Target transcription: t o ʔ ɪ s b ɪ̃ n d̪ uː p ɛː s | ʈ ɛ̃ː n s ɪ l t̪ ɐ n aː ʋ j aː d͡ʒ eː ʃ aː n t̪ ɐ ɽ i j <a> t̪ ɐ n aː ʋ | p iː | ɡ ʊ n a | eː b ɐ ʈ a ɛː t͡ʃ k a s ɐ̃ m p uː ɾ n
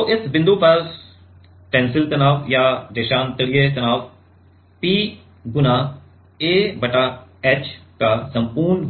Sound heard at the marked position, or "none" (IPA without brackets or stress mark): e